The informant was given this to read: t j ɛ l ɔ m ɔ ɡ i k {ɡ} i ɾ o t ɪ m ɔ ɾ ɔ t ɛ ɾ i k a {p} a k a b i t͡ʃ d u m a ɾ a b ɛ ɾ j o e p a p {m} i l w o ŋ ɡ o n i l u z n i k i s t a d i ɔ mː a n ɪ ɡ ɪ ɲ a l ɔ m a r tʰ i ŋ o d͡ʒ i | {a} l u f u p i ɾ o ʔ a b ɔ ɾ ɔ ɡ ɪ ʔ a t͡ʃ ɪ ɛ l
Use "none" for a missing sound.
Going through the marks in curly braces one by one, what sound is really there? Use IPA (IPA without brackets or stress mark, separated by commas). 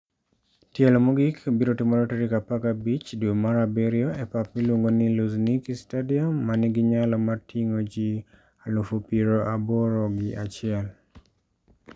b, p, m, a